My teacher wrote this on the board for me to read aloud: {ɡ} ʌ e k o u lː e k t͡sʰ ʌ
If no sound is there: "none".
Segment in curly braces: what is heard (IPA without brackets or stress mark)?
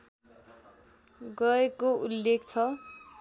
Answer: ɡ